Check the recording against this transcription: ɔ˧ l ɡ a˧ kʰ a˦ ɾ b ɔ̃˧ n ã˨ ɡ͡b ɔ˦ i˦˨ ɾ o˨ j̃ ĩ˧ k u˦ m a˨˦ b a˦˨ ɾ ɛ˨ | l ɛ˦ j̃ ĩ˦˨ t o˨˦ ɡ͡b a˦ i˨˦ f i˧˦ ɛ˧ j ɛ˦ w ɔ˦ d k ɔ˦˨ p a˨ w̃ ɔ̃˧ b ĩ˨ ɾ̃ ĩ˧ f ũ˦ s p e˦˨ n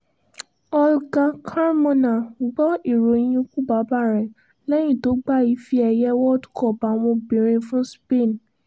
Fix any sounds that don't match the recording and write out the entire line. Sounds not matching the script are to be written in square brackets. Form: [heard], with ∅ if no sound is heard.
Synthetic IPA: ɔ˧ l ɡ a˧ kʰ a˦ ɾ [m] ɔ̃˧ n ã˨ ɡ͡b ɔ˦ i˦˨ ɾ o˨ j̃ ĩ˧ k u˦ [b] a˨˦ b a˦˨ ɾ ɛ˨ | l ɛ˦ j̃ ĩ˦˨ t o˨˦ ɡ͡b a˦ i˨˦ f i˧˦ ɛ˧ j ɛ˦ w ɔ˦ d k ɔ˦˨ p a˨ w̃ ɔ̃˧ b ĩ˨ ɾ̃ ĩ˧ f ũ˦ s p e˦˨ n